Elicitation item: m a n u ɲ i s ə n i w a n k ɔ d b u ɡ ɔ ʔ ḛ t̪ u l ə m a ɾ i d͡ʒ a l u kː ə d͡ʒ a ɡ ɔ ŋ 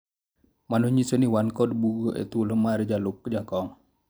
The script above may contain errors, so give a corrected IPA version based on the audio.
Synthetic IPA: m a n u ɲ i s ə n i w a n k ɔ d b u ɡ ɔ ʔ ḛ t̪ u l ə m a ɾ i d͡ʒ a l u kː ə d͡ʒ a k ɔ ŋ